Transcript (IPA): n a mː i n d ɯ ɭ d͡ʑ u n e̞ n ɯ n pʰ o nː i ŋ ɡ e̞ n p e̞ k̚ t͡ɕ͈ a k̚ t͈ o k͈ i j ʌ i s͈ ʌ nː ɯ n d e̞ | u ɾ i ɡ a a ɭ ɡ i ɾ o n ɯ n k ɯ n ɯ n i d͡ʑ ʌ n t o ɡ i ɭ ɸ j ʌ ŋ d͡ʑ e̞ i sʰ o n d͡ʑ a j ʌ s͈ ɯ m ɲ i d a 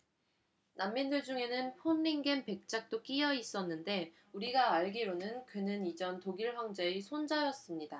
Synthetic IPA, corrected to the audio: n a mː i n d ɯ ɭ d͡ʑ u ŋ e̞ n ɯ n pʰ o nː i ŋ ɡ e̞ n p e̞ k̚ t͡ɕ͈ a k̚ t͈ o k͈ i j ʌ i s͈ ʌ nː ɯ n d e̞ | u ɾ i ɡ a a ɭ ɡ i ɾ o n ɯ n k ɯ n ɯ n i d͡ʑ ʌ n t o ɡ i ɭ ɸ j ʌ ŋ d͡ʑ e̞ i sʰ o n d͡ʑ a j ʌ s͈ ɯ m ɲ i d a